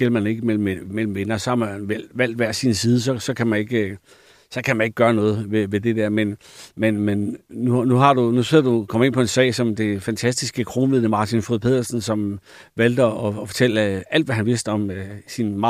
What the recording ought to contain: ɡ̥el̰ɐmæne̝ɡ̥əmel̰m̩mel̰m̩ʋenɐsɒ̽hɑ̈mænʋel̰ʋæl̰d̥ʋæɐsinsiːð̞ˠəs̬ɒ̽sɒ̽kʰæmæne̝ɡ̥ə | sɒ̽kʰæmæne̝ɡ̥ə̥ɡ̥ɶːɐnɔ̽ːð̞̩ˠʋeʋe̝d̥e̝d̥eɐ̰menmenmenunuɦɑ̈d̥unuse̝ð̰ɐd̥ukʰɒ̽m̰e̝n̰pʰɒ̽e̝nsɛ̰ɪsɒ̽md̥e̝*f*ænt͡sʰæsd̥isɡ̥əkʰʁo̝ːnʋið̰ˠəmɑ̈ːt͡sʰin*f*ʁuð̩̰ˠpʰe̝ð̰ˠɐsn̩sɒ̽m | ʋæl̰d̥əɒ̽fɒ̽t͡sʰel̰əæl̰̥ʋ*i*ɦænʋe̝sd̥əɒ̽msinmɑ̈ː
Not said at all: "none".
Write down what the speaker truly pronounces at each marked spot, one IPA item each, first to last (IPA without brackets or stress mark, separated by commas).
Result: f, f, æ